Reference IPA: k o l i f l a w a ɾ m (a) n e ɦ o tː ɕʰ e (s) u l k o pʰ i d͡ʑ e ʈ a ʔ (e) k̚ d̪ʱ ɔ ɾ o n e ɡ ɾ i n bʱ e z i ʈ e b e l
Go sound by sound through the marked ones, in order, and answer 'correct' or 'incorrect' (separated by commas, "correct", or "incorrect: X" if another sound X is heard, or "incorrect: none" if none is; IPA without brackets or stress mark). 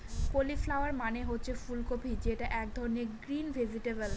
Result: correct, incorrect: f, incorrect: ɛ